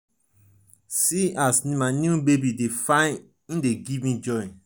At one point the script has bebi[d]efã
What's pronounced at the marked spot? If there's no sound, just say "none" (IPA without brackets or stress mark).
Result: d